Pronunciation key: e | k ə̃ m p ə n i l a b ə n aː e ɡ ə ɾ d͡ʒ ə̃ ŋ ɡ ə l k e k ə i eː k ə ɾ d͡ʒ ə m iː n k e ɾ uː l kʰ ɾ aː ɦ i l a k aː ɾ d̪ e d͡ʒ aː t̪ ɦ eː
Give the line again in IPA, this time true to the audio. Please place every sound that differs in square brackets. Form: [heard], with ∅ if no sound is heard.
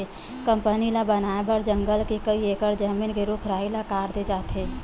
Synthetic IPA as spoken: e | k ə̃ m p ə n i l a b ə n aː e [b] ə ɾ d͡ʒ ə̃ ŋ ɡ ə l k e k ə i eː k ə ɾ d͡ʒ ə m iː n k e ɾ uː [∅] kʰ ɾ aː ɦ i l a k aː ɾ d̪ e d͡ʒ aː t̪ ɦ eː